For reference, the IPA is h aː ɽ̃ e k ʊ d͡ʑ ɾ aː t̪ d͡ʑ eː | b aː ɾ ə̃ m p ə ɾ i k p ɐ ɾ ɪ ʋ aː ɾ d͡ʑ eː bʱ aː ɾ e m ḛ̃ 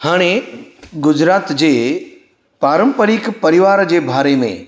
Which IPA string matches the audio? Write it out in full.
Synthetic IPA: h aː ɽ̃ e ɡ ʊ d͡ʑ ɾ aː t̪ d͡ʑ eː | p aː ɾ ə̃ m p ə ɾ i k p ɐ ɾ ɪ ʋ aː ɾ d͡ʑ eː bʱ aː ɾ e m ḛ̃

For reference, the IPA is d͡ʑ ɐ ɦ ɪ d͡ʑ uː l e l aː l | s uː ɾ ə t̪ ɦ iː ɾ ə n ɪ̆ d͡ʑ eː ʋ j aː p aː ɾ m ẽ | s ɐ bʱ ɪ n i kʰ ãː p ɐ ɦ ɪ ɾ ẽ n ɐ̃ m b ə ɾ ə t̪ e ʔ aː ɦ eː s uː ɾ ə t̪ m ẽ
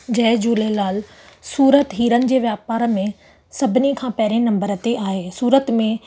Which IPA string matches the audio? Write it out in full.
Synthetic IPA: d͡ʑ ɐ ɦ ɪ d͡ʑ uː l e l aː l | s uː ɾ ə t̪ ɦ iː ɾ ə n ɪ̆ d͡ʑ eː ʋ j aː p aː ɾ m ẽ | s ɐ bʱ ɪ n i kʰ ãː p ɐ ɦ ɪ ɾ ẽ n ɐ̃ m b ə ɾ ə t̪ e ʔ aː ɦ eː s uː ɾ ə t̪ m ẽ

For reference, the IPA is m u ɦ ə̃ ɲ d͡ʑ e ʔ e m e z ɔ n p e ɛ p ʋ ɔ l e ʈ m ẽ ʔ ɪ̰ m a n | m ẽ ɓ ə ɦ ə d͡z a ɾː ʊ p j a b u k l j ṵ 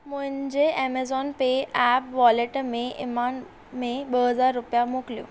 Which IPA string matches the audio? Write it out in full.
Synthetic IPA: m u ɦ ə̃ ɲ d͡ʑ e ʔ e m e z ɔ n p e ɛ p ʋ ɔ l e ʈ m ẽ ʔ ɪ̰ m a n | m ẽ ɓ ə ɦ ə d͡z a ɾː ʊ p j a m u k l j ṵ

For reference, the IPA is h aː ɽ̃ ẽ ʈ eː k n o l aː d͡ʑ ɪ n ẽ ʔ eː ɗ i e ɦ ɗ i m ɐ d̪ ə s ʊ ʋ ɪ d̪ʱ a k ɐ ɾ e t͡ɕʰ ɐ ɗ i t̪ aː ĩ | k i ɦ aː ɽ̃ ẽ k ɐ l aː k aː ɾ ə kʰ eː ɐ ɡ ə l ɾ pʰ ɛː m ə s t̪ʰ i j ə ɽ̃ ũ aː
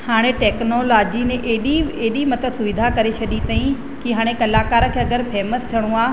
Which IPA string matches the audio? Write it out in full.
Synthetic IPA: h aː ɽ̃ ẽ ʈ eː k n o l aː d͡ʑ i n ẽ ʔ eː ɗ i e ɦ ɗ i m ɐ t̪ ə s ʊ ʋ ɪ d̪ʱ a k ɐ ɾ e t͡ɕʰ ɐ ɗ i t̪ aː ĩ | k i ɦ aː ɽ̃ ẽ k ɐ l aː k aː ɾ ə kʰ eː ɐ ɡ ə ɾ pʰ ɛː m ə s t̪ʰ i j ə ɽ̃ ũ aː

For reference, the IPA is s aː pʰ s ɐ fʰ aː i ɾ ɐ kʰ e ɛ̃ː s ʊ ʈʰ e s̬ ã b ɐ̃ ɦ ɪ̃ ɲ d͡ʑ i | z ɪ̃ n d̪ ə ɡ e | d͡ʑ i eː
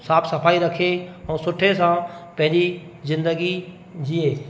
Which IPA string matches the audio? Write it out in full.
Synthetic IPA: s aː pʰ s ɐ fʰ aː i ɾ ɐ kʰ e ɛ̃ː s ʊ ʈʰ e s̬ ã p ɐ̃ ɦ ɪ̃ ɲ d͡ʑ i | z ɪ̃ n d̪ ə ɡ i | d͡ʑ i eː

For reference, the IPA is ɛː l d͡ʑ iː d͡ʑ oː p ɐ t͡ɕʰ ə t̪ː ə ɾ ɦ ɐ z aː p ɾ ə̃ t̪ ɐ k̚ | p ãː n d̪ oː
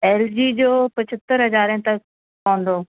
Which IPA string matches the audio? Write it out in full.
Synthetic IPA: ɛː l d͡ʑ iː d͡ʑ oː p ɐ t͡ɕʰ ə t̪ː ə ɾ ɦ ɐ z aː ɾ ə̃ t̪ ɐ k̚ | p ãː n d̪ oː

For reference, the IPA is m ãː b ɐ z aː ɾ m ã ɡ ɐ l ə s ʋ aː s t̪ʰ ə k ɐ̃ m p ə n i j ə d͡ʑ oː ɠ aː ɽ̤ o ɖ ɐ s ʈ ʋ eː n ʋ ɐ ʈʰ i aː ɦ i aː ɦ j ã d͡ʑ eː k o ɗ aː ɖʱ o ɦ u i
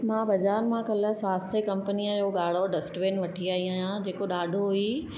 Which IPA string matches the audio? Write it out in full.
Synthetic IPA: m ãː b ɐ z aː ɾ m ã k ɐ l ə s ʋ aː s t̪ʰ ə k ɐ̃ m p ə n i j ə d͡ʑ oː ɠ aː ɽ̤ o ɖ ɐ s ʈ ʋ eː n ʋ ɐ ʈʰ i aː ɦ i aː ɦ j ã d͡ʑ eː k o ɗ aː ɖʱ o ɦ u i

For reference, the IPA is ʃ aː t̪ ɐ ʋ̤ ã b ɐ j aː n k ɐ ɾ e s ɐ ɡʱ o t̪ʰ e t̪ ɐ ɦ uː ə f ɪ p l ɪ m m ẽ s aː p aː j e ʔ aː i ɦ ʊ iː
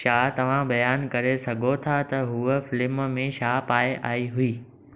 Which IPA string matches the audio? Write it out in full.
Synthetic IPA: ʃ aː t̪ ɐ ʋ̤ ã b ɐ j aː n k ɐ ɾ e s ɐ ɡʱ o t̪ʰ a t̪ ɐ ɦ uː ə f ɪ l ɪ m m ẽ ʃ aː p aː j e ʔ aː i ɦ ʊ iː

